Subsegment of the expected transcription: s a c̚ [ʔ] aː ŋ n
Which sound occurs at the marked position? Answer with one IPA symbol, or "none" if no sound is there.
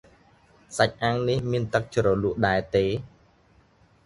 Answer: ʔ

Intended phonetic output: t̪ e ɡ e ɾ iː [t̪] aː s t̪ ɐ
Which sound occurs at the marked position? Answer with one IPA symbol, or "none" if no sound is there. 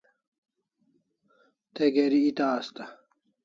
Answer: t̪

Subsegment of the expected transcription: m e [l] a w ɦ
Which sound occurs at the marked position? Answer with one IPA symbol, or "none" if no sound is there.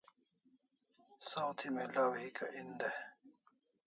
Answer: l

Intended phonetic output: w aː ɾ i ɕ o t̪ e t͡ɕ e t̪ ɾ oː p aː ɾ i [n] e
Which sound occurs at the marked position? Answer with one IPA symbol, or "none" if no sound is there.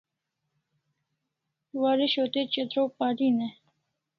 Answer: n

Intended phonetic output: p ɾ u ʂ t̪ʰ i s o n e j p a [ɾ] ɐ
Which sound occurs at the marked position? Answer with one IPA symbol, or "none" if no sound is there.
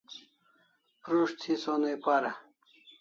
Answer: ɾ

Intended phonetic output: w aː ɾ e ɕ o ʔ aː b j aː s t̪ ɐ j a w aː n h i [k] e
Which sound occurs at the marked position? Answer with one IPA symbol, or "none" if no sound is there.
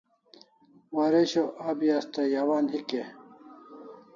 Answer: k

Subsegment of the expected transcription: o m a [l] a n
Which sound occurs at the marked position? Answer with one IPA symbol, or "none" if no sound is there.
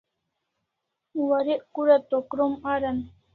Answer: ɾ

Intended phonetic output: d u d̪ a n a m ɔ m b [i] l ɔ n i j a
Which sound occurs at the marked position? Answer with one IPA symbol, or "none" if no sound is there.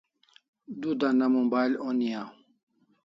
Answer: a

